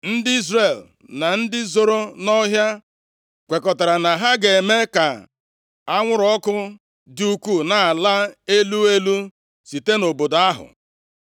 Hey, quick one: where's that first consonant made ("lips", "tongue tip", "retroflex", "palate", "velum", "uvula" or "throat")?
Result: tongue tip